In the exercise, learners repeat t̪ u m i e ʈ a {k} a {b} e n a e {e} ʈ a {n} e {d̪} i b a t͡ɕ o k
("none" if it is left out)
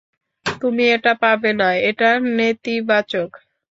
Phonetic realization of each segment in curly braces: p, b, e, n, t̪

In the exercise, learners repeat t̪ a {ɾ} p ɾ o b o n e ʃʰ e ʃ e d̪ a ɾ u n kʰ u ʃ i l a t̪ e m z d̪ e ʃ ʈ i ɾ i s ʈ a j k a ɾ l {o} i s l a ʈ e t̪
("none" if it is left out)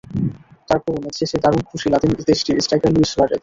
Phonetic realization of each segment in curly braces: ɾ, u

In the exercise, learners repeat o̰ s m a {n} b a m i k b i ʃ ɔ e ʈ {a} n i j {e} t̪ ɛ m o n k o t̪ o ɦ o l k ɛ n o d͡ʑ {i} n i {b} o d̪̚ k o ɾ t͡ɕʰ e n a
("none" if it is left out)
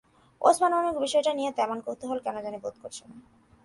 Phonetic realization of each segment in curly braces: n, a, e, a, b

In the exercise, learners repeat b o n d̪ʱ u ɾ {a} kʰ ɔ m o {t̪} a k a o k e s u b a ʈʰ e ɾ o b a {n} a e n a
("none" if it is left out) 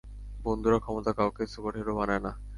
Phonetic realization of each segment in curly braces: a, t̪, n

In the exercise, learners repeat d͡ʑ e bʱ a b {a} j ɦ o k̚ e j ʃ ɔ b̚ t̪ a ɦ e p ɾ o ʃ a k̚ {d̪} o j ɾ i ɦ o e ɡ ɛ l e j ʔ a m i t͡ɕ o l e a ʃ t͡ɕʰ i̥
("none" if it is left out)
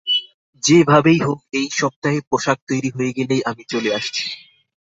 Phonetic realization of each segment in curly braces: e, t̪

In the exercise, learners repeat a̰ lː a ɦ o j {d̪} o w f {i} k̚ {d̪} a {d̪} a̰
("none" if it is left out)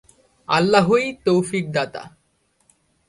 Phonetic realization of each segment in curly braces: t̪, i, d̪, t̪

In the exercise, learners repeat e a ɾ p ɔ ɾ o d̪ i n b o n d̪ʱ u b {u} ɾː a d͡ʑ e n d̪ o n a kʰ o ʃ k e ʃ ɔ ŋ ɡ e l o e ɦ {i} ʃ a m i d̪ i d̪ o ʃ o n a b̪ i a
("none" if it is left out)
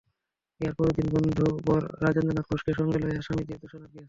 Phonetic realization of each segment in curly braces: ɔ, a

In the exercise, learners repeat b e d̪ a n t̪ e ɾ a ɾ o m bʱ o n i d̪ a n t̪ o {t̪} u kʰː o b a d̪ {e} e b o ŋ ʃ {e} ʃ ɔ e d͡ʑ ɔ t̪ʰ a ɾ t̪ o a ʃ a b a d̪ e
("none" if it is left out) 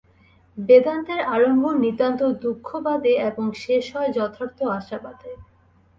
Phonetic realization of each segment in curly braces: d̪, e, e

